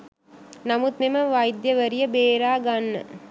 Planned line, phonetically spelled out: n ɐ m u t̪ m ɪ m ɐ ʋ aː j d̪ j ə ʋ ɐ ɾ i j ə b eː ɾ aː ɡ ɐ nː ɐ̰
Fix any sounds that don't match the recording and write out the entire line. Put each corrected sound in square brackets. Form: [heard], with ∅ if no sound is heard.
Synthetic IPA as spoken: n ɐ m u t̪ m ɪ m ɐ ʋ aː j d̪ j [ɐ] ʋ ɐ ɾ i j [ɐ] b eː ɾ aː ɡ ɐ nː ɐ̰